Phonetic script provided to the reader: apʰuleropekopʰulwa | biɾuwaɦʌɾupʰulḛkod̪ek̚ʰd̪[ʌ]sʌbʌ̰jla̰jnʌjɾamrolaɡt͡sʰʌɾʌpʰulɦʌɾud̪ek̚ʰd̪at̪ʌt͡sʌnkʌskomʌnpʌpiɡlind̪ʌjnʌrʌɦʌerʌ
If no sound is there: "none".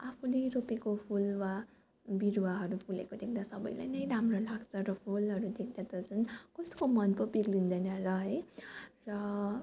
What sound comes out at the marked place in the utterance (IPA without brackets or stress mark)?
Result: a